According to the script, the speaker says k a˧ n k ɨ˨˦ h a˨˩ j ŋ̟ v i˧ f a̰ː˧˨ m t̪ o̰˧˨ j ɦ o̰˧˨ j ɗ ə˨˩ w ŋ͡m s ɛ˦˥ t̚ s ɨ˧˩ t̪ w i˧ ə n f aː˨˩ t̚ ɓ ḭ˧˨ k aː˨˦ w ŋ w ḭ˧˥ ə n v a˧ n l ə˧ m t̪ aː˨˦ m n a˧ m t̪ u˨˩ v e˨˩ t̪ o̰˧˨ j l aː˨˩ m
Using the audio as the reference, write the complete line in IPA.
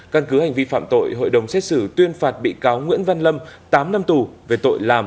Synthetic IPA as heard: k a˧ n k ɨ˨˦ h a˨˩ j ŋ̟ v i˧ f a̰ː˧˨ m t̪ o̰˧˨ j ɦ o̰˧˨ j ɗ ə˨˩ w ŋ͡m s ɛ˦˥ t̚ s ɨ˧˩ t̪ w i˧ ə n f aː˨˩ t̚ ɓ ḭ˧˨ k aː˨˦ w ŋ w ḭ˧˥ ə n v a˧ n l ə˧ m t̪ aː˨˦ m n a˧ m t̪ u˨˩ v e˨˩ t̪ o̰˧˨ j l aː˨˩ m